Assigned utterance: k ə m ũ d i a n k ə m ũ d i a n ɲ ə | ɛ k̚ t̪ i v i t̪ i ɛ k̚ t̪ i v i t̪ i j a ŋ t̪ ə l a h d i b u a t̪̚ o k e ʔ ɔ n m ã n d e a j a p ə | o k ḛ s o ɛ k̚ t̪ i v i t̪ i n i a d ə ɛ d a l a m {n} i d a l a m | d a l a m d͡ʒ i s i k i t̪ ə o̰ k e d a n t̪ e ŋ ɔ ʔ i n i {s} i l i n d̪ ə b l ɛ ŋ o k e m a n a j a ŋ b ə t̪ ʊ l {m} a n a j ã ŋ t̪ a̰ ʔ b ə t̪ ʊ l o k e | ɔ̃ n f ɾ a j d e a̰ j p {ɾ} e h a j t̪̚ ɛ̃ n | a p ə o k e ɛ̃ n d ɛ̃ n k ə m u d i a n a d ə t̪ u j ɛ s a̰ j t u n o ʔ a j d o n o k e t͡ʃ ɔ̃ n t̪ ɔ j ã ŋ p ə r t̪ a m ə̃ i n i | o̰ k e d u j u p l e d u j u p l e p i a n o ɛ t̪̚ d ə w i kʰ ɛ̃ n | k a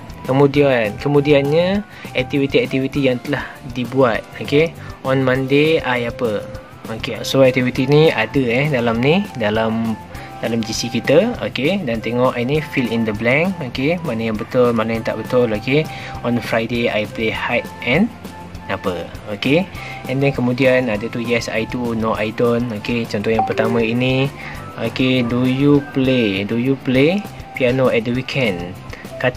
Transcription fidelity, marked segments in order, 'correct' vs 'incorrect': correct, incorrect: f, correct, incorrect: l

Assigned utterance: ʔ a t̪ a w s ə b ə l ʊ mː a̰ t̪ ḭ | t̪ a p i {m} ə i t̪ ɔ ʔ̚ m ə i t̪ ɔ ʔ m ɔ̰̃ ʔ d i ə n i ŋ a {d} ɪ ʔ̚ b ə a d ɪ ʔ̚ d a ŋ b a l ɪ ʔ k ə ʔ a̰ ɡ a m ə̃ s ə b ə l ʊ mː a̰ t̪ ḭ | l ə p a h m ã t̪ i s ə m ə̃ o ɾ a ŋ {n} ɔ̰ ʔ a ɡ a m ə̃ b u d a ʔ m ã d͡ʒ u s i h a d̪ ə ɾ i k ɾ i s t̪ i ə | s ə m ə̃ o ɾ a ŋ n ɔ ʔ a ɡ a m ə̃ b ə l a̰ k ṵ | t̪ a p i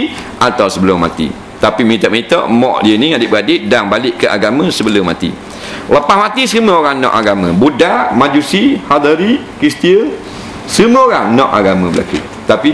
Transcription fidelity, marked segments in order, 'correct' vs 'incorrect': correct, correct, correct

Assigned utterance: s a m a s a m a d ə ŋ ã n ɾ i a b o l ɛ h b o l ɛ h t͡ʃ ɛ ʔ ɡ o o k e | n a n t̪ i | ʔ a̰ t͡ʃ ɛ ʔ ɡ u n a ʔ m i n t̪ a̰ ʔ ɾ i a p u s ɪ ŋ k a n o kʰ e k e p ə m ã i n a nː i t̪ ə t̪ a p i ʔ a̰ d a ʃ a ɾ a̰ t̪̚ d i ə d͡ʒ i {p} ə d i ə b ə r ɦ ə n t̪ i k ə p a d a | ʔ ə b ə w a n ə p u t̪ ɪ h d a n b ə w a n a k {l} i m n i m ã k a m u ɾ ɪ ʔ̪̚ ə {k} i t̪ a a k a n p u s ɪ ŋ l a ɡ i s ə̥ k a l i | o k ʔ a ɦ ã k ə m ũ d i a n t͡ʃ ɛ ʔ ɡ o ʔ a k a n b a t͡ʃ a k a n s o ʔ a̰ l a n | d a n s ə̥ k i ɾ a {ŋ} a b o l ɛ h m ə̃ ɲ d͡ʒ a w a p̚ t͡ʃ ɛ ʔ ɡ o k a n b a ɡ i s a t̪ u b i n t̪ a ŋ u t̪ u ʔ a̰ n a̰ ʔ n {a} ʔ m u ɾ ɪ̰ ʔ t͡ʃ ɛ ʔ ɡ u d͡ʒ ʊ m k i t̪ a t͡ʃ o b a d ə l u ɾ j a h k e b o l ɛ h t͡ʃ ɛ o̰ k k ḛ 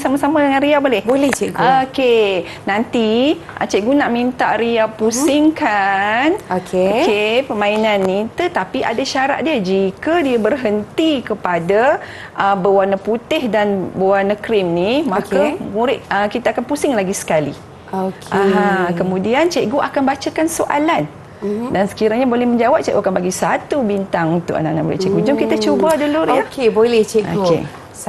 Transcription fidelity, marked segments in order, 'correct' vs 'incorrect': incorrect: k, incorrect: ɾ, correct, incorrect: ɲ, correct

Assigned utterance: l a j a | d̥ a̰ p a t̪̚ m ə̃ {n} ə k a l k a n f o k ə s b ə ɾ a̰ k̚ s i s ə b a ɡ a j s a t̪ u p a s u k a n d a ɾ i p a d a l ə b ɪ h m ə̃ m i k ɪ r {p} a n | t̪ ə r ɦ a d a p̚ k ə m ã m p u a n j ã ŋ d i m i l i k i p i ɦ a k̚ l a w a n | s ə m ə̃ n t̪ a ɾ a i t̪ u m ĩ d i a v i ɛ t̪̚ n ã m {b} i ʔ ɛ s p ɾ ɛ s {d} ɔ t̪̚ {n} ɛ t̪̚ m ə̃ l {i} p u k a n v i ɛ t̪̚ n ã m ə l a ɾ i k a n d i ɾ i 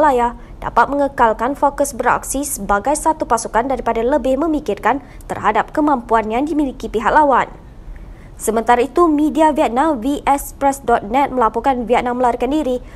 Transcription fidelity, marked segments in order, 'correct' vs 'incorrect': incorrect: ŋ, incorrect: k, incorrect: v, correct, correct, incorrect: a

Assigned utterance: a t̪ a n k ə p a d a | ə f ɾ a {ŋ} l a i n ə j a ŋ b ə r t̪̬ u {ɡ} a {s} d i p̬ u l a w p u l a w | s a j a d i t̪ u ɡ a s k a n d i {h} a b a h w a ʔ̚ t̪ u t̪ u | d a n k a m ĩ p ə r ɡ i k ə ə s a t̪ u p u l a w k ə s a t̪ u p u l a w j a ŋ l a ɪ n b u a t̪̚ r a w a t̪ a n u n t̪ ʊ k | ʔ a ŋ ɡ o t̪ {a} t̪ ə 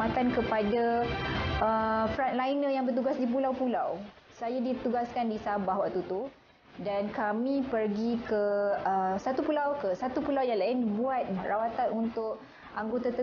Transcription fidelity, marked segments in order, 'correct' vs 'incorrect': incorrect: n, correct, correct, incorrect: s, correct

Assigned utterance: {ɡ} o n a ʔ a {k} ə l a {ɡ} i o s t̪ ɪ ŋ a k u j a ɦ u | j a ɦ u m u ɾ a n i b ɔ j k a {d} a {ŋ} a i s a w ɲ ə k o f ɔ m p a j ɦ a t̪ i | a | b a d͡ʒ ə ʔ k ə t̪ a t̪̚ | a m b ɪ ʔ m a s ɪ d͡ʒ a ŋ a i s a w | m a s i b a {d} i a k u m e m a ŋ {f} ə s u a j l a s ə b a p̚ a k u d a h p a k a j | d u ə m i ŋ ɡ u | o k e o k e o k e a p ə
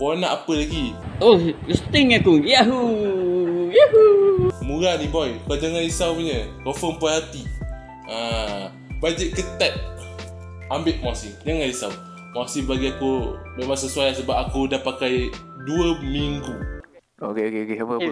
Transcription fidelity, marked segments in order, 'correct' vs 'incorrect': incorrect: k, incorrect: p, correct, incorrect: d͡ʒ, correct, incorrect: ɡ, incorrect: s

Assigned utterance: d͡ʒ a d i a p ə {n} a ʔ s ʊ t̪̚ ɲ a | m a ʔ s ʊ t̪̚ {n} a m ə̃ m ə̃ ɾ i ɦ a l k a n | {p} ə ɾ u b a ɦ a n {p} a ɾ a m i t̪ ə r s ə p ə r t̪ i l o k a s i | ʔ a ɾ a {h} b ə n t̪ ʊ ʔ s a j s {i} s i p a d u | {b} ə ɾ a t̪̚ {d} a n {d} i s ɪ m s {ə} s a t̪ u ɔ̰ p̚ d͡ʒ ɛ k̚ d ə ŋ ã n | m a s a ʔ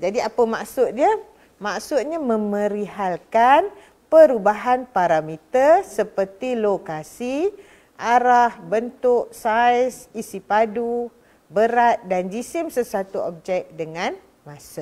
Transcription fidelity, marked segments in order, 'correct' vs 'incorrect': incorrect: m, incorrect: ɲ, correct, correct, correct, correct, correct, correct, incorrect: d͡ʒ, correct

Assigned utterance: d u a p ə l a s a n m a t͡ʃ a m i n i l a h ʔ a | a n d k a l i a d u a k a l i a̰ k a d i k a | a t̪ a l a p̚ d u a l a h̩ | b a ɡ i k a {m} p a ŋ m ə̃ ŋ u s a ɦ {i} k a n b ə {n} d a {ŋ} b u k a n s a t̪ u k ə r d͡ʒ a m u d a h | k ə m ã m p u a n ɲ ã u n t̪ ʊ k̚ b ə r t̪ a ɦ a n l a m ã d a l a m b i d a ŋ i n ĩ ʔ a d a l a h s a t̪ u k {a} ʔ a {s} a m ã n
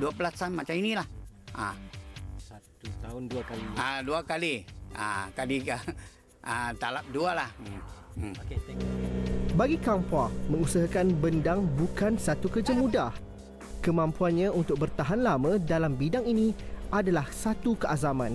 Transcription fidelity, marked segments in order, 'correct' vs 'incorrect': correct, incorrect: a, correct, correct, incorrect: ə, incorrect: z

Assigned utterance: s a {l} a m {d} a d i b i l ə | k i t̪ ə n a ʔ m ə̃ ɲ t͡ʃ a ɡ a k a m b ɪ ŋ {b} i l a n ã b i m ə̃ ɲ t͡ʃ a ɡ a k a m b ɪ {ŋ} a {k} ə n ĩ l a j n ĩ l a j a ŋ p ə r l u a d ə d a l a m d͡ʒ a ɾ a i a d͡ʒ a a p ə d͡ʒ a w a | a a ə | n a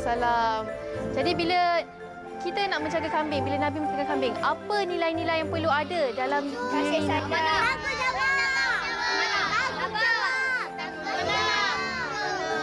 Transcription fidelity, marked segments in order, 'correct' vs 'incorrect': correct, incorrect: d͡ʒ, correct, correct, incorrect: p

